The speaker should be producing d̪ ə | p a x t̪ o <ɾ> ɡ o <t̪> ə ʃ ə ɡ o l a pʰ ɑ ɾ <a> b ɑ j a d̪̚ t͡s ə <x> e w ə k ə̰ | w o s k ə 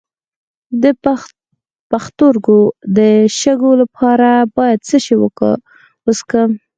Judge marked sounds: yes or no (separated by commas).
yes, no, yes, no